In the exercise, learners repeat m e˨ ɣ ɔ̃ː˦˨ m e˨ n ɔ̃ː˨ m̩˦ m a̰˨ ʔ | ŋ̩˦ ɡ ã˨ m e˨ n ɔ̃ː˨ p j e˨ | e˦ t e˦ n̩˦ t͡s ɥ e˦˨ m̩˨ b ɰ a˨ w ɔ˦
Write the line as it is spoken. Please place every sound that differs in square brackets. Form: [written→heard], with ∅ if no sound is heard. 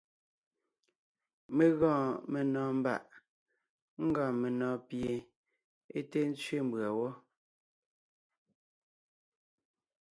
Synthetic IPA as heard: m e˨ ɣ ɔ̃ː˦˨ m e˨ n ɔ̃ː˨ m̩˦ [m→b] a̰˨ ʔ | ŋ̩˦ ɡ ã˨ m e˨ n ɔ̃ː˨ p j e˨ | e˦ t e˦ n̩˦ t͡s ɥ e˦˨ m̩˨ b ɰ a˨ w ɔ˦